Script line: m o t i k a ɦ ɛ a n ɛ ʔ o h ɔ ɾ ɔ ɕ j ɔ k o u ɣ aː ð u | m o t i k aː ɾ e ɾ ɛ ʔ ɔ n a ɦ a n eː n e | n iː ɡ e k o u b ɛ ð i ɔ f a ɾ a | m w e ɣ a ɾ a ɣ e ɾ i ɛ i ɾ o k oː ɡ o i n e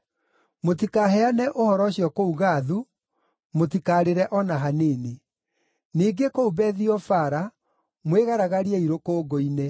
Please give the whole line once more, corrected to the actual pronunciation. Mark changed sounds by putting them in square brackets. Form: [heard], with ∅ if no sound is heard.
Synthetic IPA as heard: m o t i k a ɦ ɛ a n ɛ ʔ o h ɔ ɾ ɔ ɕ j ɔ k o u ɣ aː ð u | m o t i k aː ɾ e ɾ ɛ ʔ ɔ n a ɦ a n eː n e | n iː ɡ e k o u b ɛ ð i ɔ f a ɾ a | m w e ɣ a ɾ a ɣ [a] ɾ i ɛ i ɾ o k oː ɡ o i n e